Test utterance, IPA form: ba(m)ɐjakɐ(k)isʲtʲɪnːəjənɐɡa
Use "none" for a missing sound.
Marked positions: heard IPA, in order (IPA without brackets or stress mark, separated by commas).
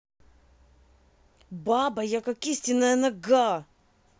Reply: b, k